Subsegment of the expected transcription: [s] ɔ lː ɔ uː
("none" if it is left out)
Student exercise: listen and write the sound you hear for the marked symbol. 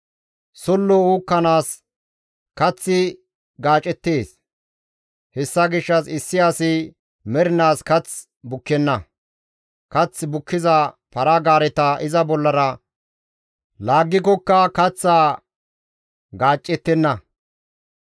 s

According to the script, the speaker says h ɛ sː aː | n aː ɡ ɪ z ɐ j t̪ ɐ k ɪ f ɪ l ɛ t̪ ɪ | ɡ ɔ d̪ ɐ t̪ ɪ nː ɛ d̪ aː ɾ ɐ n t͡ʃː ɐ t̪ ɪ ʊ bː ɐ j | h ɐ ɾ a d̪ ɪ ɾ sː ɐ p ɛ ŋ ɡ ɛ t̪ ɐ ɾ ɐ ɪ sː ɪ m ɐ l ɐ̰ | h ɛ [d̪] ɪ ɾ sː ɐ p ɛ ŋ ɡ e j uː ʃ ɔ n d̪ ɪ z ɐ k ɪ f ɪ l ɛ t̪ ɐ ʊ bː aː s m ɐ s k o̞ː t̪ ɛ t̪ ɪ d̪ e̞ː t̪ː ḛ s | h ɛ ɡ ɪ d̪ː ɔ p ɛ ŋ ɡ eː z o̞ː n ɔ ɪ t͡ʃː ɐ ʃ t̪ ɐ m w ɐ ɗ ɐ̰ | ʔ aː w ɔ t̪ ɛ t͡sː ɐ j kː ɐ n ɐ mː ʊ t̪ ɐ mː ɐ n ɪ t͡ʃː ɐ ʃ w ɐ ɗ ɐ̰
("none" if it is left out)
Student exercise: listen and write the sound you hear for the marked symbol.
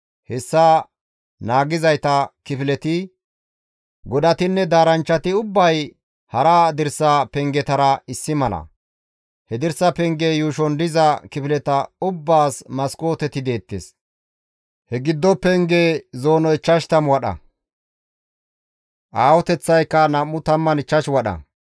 d̪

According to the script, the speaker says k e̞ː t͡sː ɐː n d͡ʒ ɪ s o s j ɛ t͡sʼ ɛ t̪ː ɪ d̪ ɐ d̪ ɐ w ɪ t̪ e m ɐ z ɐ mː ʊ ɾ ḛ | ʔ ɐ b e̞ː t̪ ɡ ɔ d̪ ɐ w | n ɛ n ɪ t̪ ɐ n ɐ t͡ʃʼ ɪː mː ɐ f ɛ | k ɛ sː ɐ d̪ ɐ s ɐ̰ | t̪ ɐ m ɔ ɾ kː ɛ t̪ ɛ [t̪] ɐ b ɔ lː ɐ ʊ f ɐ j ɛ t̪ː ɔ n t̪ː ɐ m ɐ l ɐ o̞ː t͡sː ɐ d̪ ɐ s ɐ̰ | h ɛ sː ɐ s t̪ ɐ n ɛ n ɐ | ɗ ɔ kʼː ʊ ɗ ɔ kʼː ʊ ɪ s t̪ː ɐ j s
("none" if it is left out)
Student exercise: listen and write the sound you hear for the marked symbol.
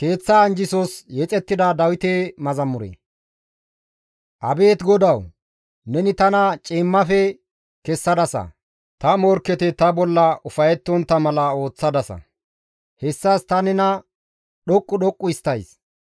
t̪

